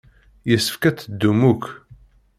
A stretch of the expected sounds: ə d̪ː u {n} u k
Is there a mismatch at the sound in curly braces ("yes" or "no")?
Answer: yes